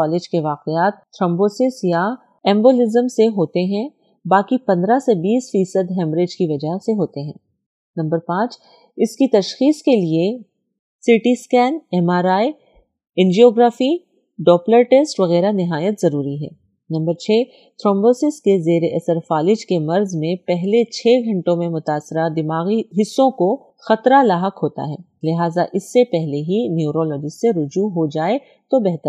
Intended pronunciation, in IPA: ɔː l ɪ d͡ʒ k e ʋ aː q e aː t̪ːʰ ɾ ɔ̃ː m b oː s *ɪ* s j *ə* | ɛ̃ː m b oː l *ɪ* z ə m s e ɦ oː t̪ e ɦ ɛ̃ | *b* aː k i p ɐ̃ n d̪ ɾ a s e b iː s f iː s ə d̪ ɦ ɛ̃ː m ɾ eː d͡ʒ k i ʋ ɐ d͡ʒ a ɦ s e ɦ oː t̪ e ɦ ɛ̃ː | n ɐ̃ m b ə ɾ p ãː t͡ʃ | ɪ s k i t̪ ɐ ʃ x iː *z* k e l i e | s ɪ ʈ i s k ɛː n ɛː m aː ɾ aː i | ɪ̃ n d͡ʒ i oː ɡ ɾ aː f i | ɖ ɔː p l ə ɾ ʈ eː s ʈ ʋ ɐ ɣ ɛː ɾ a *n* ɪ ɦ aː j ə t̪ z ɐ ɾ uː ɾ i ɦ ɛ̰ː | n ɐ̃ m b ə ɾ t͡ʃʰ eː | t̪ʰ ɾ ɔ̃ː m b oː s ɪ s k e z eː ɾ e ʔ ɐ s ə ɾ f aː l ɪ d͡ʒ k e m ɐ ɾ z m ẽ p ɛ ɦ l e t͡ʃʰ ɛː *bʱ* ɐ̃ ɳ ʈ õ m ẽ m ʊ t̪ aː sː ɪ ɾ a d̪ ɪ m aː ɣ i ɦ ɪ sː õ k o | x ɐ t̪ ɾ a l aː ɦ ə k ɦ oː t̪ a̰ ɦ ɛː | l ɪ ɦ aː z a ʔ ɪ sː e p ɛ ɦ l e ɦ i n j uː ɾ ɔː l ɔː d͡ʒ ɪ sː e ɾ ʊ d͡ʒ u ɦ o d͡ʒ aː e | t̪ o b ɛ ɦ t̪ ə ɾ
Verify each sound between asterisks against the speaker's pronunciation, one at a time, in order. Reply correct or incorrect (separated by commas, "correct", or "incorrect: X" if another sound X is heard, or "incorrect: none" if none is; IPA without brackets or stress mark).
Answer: correct, incorrect: a, correct, correct, incorrect: s, correct, incorrect: ɡʱ